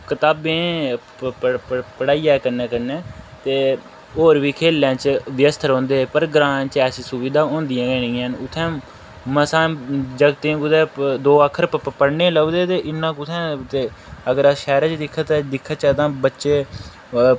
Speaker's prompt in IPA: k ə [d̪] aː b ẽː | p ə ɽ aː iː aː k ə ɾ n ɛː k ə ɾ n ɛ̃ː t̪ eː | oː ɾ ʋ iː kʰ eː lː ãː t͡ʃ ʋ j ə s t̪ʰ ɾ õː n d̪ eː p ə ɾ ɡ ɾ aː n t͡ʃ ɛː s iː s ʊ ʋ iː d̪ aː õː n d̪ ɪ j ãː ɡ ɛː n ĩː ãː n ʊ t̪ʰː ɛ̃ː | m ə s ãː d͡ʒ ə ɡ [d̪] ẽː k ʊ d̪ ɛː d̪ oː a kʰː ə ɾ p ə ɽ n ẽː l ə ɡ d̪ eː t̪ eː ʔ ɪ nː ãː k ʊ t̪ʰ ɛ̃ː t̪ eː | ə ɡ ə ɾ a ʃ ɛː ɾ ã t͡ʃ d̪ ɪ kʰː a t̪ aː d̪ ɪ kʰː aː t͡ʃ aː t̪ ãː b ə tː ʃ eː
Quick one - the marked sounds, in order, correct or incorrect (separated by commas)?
incorrect, incorrect